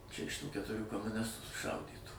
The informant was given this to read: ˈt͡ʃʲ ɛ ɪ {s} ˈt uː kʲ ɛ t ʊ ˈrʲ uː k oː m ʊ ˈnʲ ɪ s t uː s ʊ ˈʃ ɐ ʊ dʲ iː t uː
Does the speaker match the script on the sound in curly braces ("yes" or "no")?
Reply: no